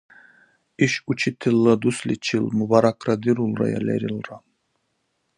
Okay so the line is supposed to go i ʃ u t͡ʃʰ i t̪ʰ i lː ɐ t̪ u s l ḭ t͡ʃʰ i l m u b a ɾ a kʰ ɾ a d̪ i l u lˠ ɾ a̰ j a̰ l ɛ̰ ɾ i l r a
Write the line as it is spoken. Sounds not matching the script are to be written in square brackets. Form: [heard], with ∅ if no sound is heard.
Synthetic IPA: i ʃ u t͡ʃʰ i t̪ʰ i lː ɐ [d̪] u s l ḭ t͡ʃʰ i l m u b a ɾ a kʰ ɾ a d̪ i [ɾ] u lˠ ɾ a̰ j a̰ l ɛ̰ ɾ i l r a